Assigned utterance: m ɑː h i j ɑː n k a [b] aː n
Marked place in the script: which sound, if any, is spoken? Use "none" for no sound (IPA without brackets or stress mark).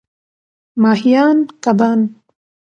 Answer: b